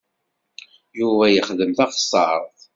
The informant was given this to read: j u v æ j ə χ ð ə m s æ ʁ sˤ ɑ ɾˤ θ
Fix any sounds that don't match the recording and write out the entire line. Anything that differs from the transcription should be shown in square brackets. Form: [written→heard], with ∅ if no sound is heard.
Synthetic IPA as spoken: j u v æ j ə χ ð ə m [s→θ] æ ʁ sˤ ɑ ɾˤ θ